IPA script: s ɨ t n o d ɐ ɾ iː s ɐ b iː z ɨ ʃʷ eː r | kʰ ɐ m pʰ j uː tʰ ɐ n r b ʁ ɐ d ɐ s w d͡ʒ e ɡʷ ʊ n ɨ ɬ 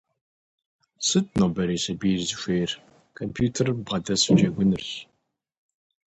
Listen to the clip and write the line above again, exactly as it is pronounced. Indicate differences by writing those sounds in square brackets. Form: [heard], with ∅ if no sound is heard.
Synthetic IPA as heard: s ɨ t n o [b] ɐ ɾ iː s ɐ b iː z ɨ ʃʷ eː r | kʰ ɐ m pʰ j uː tʰ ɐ [∅] r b ʁ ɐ d ɐ s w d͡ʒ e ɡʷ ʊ n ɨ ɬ